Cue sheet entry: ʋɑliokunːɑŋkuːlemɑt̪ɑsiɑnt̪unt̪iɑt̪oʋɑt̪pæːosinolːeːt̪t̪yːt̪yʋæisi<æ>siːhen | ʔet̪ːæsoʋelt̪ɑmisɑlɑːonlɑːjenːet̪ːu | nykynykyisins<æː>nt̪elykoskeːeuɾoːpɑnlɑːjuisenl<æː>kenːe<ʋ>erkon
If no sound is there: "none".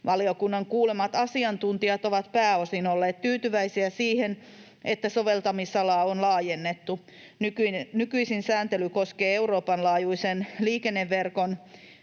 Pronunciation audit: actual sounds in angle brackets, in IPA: æ, æː, iː, ʋː

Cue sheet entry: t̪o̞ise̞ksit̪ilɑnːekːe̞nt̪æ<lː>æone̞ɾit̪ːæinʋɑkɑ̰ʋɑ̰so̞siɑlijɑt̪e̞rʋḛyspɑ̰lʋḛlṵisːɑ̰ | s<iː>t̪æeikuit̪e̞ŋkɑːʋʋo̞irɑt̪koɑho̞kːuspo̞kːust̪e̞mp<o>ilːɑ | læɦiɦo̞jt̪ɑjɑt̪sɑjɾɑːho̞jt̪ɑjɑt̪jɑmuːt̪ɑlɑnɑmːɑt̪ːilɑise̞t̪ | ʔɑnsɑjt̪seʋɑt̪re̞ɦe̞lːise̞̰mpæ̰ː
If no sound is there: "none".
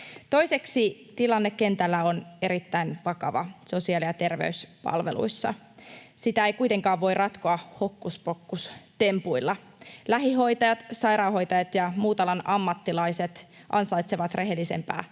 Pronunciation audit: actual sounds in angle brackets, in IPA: lː, i, u

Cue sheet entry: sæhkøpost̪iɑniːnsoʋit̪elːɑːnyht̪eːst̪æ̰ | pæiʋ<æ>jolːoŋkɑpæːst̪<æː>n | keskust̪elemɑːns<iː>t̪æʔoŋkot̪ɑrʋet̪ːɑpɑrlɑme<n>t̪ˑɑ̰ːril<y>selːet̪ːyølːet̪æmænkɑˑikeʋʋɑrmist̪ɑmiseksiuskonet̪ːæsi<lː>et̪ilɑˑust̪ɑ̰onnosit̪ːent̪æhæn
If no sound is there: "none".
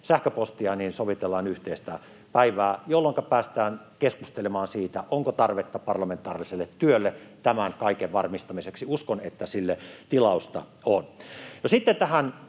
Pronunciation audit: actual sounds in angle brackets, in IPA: æː, æː, iː, n, i, lː

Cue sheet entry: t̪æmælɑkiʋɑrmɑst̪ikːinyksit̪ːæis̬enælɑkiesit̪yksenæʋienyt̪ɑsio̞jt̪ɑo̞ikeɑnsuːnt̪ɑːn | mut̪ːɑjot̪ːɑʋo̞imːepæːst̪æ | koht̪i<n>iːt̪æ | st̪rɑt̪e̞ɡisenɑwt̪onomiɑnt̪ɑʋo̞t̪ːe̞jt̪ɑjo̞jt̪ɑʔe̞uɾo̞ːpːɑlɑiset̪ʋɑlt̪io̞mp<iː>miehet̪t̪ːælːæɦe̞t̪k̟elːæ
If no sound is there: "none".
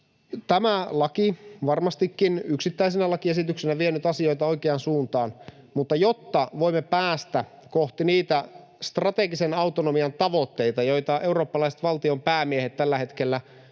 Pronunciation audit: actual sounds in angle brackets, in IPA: n, æː

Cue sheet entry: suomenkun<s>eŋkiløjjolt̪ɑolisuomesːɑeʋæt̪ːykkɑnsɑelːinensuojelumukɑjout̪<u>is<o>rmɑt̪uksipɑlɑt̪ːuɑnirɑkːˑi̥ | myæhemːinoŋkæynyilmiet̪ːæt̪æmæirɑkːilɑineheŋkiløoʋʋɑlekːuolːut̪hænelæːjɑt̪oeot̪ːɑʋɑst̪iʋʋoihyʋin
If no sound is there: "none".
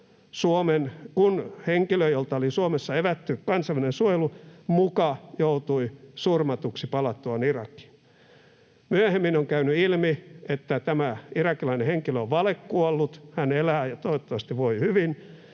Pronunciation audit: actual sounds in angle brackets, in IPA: h, u, u

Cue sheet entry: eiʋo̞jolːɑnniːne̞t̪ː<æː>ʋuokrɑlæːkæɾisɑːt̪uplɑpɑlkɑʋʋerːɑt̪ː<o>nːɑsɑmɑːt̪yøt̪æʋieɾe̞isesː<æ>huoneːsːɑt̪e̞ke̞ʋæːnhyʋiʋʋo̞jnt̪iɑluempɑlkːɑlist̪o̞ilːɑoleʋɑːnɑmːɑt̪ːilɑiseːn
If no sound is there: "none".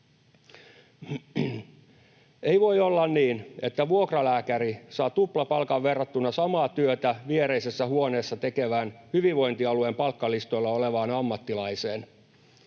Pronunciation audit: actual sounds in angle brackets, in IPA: æ, u, æ

